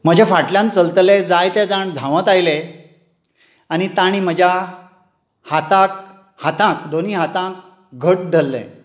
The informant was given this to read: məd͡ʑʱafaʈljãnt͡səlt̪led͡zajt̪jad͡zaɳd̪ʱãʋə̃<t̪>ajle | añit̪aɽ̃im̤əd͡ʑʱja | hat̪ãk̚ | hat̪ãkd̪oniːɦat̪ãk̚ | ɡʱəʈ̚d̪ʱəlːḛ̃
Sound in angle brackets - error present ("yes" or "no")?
no